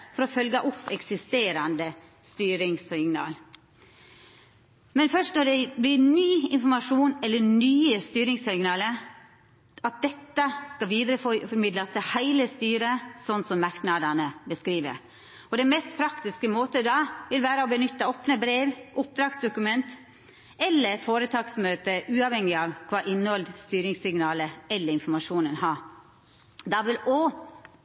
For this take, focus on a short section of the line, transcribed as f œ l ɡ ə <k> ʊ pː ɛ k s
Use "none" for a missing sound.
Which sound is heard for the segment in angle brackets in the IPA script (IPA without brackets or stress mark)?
ʔ